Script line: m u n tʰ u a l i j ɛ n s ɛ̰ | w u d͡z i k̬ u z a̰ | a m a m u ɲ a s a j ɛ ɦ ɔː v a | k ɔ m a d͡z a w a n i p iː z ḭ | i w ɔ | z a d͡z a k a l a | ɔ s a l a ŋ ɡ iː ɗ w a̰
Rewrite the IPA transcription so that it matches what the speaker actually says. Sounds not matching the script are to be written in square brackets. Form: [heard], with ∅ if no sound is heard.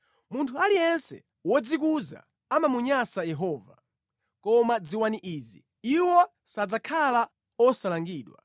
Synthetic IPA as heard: m u n tʰ u a l i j ɛ n s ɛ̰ | w [ɔ] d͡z i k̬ u z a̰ | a m a m u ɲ a s a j ɛ ɦ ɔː v a | k ɔ m a d͡z [i] w a n i [ʔ] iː z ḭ | i w ɔ | [s] a d͡z a [kʰ] a l a | ɔ s a l a ŋ ɡ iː ɗ w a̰